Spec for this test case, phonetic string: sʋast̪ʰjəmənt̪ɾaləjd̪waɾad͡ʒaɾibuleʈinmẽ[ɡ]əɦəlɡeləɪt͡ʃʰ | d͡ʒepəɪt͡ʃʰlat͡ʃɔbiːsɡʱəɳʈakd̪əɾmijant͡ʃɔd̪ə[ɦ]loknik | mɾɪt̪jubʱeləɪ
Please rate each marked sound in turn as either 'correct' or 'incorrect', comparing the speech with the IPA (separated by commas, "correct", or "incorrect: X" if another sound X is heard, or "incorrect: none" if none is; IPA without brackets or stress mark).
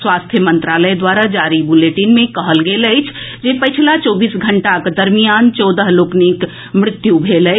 incorrect: k, correct